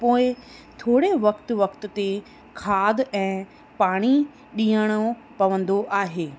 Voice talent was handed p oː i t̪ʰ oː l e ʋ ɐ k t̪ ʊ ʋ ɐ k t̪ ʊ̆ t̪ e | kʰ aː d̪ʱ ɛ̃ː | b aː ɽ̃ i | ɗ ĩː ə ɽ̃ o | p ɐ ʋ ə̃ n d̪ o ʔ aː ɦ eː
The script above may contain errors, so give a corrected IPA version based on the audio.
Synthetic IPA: p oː ɪ t̪ʰ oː ɽ e ʋ ɐ k t̪ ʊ ʋ ɐ k t̪ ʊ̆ t̪ e | kʰ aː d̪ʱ ɛ̃ː | p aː ɽ̃ i | ɗ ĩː ə ɽ̃ o | p ɐ ʋ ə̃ n d̪ o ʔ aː ɦ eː

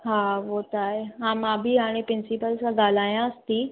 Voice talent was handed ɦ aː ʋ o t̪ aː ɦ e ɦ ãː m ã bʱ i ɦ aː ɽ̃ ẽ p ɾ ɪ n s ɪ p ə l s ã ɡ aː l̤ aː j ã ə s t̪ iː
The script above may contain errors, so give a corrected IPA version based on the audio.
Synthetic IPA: ɦ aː ʋ o t̪ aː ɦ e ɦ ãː m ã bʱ i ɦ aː ɽ̃ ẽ p ɾ ɪ n s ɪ p ə l s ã ɡ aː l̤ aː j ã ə s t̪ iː

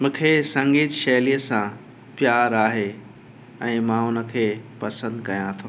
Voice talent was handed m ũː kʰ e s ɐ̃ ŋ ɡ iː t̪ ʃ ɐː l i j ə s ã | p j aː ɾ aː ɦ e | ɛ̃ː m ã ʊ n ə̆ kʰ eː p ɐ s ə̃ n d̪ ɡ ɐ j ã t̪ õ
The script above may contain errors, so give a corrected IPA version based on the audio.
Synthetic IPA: m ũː kʰ e s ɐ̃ ŋ ɡ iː t̪ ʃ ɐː l i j ə s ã | p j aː ɾ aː ɦ e | ɛ̃ː m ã ʊ n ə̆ kʰ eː p ɐ s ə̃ n d̪ k ɐ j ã t̪ʰ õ

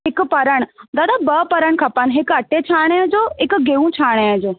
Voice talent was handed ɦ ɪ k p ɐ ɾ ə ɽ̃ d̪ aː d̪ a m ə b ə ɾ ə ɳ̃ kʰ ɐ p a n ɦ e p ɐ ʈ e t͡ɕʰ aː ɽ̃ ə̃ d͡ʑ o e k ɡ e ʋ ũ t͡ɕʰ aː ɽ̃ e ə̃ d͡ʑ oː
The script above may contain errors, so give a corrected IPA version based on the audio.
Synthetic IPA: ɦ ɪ k p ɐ ɾ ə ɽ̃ d̪ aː d̪ a b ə p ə ɾ ə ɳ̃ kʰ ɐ p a n ɦ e k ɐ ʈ e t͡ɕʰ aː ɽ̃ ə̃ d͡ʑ o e k ɡ e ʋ ũ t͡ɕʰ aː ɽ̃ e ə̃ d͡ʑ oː

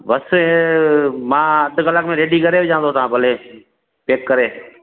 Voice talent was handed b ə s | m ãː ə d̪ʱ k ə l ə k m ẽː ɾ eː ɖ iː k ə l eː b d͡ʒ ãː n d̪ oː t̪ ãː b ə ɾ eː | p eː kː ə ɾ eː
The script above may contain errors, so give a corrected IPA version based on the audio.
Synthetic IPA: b ə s | m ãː ə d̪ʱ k ə l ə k m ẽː ɾ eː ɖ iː k ə ɾ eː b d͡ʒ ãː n d̪ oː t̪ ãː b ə l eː | p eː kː ə ɾ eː

